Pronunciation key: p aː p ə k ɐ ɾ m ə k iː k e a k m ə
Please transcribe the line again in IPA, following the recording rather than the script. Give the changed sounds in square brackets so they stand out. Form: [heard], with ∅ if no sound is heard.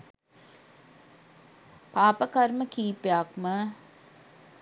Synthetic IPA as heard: p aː p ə k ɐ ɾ m ə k iː [p] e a k m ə